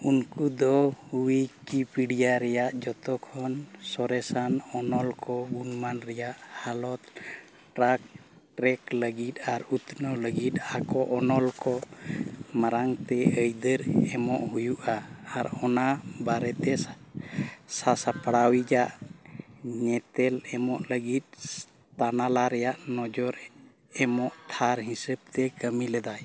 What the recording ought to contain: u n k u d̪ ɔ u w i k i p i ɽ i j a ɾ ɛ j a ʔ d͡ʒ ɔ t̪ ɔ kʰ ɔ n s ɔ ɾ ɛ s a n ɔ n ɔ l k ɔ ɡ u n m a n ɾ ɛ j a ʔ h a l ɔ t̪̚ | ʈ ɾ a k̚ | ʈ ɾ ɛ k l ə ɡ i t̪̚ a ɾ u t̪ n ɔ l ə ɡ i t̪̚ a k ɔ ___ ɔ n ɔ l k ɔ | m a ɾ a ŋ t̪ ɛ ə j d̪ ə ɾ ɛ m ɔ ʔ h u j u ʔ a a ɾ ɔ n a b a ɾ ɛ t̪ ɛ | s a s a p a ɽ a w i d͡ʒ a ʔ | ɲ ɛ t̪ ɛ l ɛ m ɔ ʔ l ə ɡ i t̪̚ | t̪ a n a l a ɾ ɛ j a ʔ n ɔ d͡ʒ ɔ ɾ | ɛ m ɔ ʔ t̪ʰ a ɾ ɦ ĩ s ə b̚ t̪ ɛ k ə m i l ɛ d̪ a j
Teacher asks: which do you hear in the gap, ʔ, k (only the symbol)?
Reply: ʔ